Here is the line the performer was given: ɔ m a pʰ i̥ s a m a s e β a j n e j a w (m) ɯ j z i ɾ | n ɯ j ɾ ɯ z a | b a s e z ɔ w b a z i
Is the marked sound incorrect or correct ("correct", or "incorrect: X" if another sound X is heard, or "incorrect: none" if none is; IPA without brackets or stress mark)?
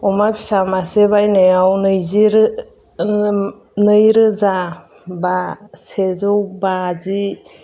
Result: incorrect: n